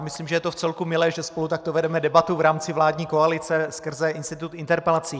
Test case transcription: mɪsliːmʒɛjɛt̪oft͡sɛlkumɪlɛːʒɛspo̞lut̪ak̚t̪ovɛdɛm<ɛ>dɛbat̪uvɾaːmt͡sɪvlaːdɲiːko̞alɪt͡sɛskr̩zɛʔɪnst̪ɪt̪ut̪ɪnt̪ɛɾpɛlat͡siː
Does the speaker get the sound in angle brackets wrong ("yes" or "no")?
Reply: no